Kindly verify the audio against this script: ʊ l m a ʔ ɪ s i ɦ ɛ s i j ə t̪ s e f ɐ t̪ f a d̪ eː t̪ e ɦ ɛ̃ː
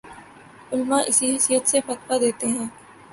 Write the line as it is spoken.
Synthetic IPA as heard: ʊ l m a ʔ ɪ s i ɦ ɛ s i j ə t̪ s e f ɐ t̪ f a d̪ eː t̪ e ɦ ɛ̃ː